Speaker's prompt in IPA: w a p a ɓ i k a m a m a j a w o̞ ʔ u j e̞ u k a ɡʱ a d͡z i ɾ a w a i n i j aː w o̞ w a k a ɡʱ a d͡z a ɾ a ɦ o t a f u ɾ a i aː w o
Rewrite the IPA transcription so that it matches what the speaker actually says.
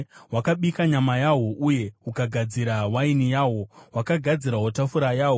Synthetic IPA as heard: w a k a ɓ i k a ɲ a m a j a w o̞ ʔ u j e̞ u k a ɡʱ a d͡z i ɾ a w a i n i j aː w o̞ w a k a ɡʱ a d͡z i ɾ a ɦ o t a f u ɾ a j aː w o

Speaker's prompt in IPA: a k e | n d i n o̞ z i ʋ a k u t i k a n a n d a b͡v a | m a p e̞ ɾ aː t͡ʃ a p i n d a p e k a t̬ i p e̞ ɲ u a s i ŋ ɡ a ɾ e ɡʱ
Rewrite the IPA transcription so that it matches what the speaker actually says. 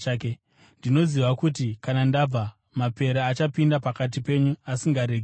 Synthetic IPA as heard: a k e | n d i n o̞ z i ʋ a k u t i k a n a n d a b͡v a | m a p e̞ ɾ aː t͡ʃ a p i n d a p a k a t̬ i p e̞ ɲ u a s i ŋ ɡ a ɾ e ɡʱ

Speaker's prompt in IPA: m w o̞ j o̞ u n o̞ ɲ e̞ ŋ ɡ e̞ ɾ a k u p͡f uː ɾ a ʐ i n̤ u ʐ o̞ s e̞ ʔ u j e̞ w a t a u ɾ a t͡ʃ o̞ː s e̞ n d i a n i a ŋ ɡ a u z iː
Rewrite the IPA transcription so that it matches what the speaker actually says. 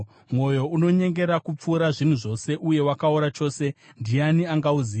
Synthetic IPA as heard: m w o̞ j o̞ u n o̞ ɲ e̞ ŋ ɡ e̞ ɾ a k u p͡f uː ɾ a ʐ i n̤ u ʐ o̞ s e̞ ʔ u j e̞ w a k a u ɾ a t͡ʃ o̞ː s e̞ n d i a n i a ŋ ɡ a u z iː

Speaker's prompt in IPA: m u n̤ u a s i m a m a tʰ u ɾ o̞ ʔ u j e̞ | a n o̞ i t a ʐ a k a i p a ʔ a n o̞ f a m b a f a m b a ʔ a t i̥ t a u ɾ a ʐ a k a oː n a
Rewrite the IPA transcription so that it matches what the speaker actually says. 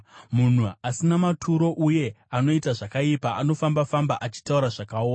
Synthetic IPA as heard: m u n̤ u a s i n a m a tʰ u ɾ o̞ ʔ u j e̞ | a n o̞ i t a ʐ a k a i p a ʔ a n o̞ f a m b a f a m b a ʔ a t͡ʃ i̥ t a u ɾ a ʐ a k a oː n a

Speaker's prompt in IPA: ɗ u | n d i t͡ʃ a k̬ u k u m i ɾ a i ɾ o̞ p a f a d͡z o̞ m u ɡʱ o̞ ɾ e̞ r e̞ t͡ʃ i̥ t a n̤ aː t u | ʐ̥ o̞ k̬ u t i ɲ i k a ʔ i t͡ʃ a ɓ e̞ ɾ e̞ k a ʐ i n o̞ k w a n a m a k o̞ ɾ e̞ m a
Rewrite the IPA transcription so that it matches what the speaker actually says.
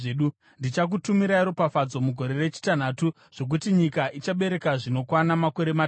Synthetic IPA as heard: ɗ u | n d i t͡ʃ a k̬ u t u m i ɾ a i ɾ o̞ p a f a d͡z o̞ m u ɡʱ o̞ ɾ e̞ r e̞ t͡ʃ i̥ t a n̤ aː t u | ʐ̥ o̞ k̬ u t i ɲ i k a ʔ i t͡ʃ a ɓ e̞ ɾ e̞ k a ʐ i n o̞ k w a n a m a k o̞ ɾ e̞ m a

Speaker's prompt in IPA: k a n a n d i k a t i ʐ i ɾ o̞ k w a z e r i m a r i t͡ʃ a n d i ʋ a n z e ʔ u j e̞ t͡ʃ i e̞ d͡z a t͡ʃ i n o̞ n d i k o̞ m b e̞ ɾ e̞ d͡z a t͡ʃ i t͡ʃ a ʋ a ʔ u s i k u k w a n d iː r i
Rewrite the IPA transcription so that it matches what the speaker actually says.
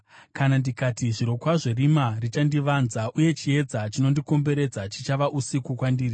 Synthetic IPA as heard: k a n a n d i k a t i ʐ i ɾ o̞ k w a ʐ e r i m a r i t͡ʃ a n d i ʋ a n z a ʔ u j e̞ t͡ʃ i e̞ d͡z a t͡ʃ i n o̞ n d i k o̞ m b e̞ ɾ e̞ d͡z a t͡ʃ i t͡ʃ a ʋ a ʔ u s i k u k w a n d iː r i

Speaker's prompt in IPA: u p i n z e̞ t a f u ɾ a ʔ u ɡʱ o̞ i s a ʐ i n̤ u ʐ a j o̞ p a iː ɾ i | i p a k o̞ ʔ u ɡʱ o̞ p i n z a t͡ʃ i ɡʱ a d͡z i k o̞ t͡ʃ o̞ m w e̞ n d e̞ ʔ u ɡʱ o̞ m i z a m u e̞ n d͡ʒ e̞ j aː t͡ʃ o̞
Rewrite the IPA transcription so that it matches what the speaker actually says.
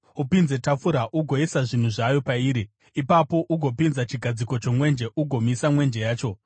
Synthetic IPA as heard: u p i n z e̞ t a f u ɾ a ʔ u ɡʱ o̞ i s a ʐ i n̤ u ʐ a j o̞ p a iː ɾ i | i p a p o̞ ʔ u ɡʱ o̞ p i n z a t͡ʃ i ɡʱ a d͡z i k o̞ t͡ʃ o̞ m w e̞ n d͡ʒ e̞ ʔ u ɡʱ o̞ m i s a m w e̞ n d͡ʒ e̞ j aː t͡ʃ o̞

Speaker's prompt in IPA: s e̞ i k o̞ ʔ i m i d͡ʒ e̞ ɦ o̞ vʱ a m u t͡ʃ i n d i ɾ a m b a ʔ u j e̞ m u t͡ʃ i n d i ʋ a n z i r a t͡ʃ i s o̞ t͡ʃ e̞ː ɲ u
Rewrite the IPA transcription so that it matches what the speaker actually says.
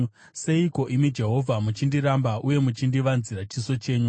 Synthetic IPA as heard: s e̞ i k o̞ ʔ i m i d͡ʒ e̞ ɦ o̞ vʱ a m u t͡ʃ i n d i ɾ a m b a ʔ u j e̞ m u t͡ʃ i n d i ʋ a n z i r a t͡ʃ i s o̞ t͡ʃ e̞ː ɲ u

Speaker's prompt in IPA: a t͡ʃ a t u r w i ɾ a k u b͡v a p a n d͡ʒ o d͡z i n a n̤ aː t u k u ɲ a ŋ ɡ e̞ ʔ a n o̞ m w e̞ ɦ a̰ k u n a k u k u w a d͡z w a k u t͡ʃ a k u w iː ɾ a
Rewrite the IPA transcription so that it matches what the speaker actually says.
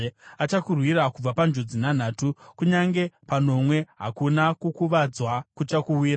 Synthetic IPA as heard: a t͡ʃ a k u r w i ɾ a k u b͡v a p a n d͡ʒ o d͡z i n a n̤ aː t u k u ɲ a ŋ ɡ e̞ p a n o̞ m w e̞ ɦ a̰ k u n a k u k u ʋ a d͡z w a k u t͡ʃ a k u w iː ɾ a

